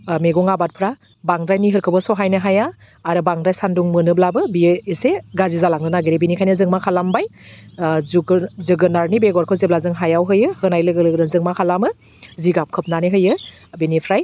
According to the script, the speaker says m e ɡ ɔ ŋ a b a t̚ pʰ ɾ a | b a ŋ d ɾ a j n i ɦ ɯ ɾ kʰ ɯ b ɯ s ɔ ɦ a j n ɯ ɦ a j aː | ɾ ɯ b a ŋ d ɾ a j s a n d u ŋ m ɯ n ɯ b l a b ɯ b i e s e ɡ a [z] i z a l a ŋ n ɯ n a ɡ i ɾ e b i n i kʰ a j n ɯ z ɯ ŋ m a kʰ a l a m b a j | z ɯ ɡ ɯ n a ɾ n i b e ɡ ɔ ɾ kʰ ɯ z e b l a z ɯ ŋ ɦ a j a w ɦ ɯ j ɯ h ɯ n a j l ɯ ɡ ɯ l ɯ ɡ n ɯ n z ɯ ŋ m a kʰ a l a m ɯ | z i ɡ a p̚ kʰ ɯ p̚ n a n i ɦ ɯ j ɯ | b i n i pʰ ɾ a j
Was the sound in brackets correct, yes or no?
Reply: yes